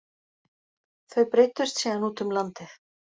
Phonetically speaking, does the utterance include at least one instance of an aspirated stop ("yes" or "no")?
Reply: no